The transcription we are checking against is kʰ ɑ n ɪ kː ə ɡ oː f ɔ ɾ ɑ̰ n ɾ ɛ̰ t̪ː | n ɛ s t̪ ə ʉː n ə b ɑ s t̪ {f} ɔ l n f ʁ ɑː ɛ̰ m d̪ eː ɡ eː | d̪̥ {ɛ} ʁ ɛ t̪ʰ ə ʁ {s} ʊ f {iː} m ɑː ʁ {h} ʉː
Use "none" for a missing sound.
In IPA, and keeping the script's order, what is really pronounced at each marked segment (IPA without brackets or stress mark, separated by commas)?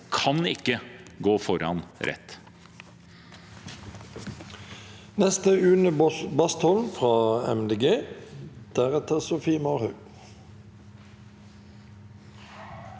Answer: h, æ, s, iː, h